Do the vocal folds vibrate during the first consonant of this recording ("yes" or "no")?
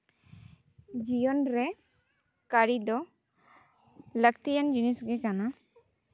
yes